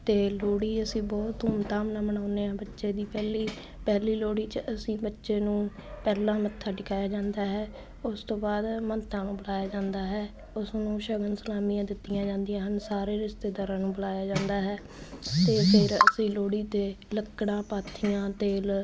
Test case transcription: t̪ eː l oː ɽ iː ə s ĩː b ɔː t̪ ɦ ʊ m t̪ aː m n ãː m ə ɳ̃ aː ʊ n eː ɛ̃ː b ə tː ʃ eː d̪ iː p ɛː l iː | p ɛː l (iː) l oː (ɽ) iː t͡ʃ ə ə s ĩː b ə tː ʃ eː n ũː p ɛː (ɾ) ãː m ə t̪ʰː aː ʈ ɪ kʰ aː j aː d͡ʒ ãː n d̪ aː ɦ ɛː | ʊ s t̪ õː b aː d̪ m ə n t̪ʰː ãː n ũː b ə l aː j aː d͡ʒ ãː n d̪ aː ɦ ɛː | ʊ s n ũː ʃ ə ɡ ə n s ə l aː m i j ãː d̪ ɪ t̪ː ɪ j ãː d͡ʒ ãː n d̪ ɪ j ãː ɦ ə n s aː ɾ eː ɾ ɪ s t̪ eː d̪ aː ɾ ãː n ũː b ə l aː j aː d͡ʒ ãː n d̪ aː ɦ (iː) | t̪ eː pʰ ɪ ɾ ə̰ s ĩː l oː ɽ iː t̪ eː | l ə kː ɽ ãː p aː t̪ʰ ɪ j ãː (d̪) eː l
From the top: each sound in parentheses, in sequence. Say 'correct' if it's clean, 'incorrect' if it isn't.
correct, correct, incorrect, incorrect, incorrect

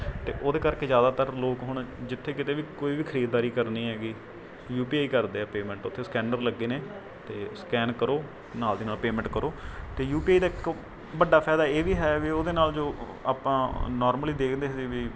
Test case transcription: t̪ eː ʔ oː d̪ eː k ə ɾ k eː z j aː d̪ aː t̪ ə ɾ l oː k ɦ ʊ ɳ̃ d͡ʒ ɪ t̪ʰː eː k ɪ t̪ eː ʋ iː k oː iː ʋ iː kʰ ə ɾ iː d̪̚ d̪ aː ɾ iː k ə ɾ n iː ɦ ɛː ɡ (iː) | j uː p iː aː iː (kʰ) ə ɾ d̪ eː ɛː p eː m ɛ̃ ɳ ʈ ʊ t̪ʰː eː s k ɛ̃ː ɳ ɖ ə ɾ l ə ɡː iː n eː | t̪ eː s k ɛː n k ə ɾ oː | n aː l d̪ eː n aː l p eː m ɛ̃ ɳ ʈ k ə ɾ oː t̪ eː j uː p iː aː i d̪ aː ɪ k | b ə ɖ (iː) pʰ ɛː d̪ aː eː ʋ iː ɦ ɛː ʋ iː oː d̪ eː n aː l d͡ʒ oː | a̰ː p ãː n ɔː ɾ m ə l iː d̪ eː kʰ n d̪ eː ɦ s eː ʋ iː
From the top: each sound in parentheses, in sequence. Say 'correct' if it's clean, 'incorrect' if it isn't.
correct, incorrect, incorrect

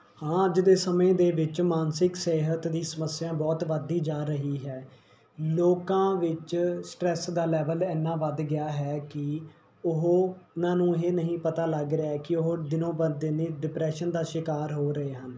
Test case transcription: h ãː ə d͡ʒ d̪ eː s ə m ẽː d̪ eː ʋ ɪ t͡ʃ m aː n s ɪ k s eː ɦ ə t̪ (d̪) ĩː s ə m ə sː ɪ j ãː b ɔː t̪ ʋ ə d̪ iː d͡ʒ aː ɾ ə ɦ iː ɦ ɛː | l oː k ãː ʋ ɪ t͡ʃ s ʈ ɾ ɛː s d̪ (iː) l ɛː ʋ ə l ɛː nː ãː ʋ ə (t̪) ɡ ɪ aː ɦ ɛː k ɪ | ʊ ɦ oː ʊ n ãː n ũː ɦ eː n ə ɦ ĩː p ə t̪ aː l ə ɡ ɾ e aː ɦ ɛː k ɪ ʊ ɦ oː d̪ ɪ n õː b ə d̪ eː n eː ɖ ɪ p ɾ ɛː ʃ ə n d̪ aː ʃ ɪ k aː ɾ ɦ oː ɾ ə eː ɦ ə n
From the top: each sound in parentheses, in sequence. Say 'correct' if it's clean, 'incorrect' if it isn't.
correct, incorrect, incorrect

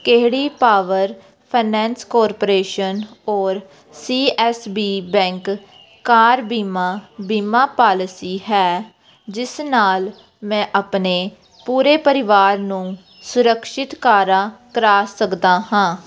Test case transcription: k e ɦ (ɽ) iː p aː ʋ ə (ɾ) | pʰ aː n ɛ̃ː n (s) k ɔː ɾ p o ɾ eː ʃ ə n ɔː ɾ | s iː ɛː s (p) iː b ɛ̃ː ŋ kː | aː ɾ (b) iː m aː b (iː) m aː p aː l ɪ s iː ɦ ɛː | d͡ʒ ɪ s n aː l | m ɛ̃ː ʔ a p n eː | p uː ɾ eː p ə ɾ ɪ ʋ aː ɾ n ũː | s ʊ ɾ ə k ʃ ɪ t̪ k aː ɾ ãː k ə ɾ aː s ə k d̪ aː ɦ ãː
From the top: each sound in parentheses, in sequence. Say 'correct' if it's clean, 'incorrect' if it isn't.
correct, correct, correct, incorrect, correct, correct

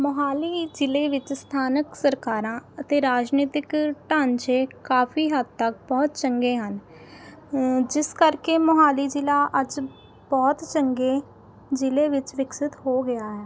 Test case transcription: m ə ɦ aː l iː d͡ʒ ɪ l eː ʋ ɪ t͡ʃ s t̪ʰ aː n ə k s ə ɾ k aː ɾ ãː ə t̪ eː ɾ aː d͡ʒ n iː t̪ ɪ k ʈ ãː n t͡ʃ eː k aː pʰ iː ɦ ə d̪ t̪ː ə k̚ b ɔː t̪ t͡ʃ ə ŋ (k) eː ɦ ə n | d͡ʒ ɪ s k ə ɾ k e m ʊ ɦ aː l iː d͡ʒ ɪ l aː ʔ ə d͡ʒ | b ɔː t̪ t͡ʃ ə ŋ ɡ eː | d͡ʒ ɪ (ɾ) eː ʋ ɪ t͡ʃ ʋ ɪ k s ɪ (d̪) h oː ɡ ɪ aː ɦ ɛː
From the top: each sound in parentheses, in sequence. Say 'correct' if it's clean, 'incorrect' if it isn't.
incorrect, incorrect, incorrect

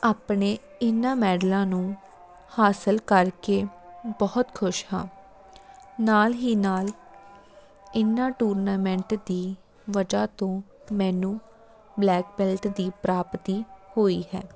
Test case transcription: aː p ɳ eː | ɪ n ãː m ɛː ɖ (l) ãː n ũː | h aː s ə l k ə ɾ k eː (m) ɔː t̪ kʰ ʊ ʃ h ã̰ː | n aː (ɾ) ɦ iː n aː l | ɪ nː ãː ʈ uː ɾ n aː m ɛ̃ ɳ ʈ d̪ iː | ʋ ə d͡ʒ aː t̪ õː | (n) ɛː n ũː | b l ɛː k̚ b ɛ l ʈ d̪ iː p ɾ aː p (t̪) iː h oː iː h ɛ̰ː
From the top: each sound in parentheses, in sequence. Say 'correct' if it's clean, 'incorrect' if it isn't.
correct, incorrect, incorrect, incorrect, correct

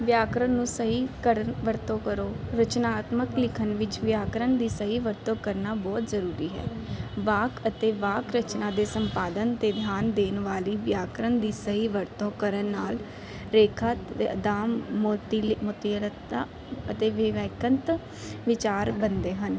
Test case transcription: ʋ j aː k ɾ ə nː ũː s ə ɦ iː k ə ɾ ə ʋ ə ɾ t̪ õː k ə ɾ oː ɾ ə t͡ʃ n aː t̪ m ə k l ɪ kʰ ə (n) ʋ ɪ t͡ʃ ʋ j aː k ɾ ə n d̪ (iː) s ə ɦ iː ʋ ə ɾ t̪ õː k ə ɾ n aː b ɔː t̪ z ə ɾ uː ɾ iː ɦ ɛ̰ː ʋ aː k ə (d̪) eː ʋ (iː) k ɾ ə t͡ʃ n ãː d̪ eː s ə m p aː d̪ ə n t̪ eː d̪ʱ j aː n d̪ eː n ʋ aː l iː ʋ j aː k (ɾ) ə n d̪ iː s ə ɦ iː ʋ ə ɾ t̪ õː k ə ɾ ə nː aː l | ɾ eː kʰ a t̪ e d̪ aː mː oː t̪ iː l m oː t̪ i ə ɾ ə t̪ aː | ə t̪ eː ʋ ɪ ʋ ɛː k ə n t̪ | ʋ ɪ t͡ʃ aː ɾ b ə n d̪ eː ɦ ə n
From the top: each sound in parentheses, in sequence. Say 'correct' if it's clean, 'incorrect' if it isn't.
correct, correct, incorrect, incorrect, correct

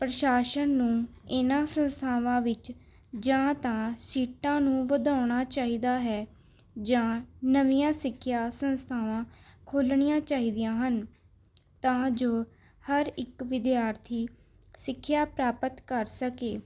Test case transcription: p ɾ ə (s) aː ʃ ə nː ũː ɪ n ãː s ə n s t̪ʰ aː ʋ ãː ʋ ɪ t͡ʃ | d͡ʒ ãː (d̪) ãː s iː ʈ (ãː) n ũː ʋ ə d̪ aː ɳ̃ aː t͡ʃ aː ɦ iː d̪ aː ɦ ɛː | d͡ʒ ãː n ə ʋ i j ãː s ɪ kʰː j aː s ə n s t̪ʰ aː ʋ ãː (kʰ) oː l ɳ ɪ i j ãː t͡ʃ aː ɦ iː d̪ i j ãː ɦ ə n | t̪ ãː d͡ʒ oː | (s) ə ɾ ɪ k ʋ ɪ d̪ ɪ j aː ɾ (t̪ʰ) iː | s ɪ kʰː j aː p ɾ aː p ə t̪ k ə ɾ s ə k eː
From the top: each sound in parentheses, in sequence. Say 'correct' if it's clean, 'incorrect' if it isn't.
incorrect, incorrect, correct, correct, incorrect, correct

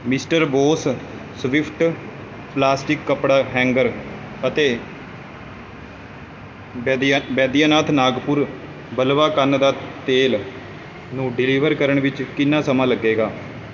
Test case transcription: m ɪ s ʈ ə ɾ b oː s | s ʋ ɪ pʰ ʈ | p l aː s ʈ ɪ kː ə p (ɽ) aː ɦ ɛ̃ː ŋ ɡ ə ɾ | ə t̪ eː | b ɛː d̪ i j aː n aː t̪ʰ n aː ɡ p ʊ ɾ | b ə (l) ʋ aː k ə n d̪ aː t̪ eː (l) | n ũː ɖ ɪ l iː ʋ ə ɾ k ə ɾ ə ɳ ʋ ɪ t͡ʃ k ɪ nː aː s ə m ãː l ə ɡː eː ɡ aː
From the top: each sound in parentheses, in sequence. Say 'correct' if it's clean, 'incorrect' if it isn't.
correct, correct, correct

